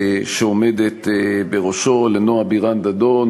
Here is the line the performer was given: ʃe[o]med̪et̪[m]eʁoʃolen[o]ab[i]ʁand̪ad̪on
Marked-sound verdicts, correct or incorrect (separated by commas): correct, incorrect, correct, correct